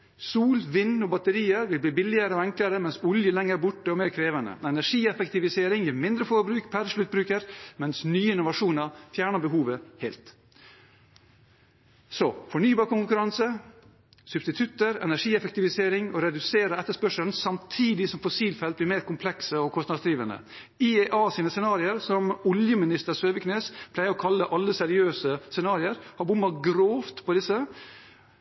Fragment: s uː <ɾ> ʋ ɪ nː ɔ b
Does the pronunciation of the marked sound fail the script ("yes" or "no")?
yes